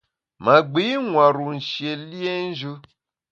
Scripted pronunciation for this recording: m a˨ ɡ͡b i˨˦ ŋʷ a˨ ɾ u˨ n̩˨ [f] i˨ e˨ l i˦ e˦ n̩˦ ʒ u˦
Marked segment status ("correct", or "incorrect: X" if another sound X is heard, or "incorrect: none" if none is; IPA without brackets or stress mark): incorrect: ʃ